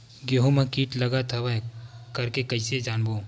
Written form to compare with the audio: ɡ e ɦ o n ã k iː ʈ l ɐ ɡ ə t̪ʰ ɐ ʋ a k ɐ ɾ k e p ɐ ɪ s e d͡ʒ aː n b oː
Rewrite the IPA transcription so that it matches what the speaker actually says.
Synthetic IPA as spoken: ɡ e ɦ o m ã k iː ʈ l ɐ ɡ a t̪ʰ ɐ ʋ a k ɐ ɾ k e k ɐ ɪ s e d͡ʒ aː n b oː